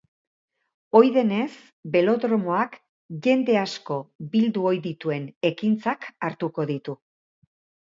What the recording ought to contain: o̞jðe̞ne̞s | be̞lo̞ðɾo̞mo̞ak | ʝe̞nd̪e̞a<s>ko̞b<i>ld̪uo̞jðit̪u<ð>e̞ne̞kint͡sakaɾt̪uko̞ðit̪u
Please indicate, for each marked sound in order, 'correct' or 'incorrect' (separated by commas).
correct, correct, incorrect